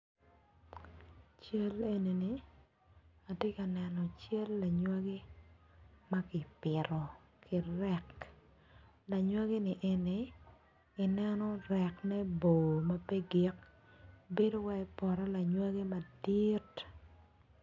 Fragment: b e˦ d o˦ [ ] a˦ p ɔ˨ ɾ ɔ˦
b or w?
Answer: w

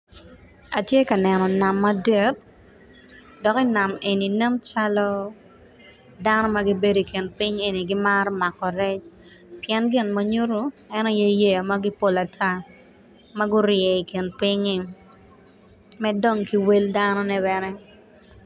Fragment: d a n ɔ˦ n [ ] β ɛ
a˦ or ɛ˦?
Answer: ɛ˦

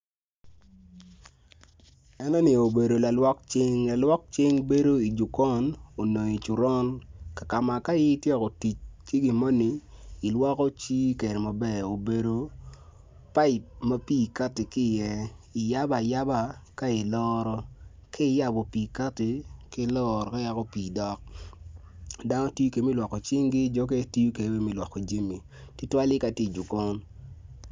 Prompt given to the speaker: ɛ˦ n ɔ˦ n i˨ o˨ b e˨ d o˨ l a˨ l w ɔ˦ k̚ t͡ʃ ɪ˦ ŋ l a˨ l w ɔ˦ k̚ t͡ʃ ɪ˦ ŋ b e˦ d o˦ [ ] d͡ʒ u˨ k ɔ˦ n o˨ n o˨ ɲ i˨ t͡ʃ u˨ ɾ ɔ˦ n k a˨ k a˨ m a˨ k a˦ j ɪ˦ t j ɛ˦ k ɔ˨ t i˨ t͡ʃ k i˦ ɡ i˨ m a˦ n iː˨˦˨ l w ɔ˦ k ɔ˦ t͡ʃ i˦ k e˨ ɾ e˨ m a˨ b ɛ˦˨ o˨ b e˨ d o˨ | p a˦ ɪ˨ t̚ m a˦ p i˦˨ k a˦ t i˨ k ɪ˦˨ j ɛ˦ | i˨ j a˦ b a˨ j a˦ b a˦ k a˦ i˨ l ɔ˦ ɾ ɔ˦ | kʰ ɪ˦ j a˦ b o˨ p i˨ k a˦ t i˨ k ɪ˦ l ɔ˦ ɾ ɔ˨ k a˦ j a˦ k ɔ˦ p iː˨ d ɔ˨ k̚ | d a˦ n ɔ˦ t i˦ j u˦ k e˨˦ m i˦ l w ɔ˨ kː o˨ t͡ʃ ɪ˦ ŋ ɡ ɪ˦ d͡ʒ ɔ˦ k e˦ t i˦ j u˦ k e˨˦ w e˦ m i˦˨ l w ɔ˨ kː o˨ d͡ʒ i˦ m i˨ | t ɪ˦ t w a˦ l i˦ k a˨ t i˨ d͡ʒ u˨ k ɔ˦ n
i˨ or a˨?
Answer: i˨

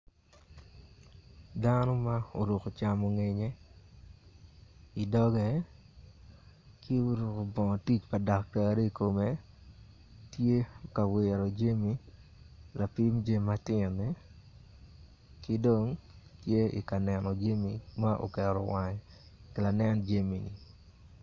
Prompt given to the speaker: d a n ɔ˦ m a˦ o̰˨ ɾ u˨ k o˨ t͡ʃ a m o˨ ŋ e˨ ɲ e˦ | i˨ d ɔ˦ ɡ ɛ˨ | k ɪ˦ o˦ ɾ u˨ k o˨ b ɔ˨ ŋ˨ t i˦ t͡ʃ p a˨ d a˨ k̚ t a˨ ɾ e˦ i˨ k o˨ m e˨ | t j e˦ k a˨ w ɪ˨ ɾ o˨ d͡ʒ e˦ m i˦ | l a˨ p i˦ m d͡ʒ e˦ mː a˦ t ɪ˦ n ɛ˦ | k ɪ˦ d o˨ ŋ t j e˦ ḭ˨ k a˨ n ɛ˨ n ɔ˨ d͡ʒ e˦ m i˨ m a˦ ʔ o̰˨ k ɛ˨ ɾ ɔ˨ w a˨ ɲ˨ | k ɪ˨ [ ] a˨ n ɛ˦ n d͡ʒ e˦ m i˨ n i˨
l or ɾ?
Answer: l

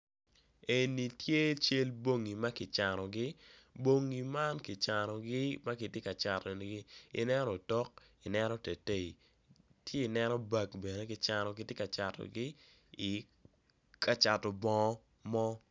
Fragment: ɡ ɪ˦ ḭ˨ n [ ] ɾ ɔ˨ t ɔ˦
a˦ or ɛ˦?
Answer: ɛ˦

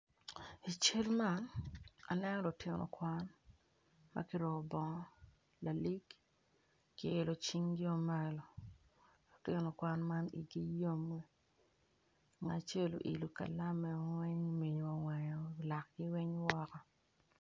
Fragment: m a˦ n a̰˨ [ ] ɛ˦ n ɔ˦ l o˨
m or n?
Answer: n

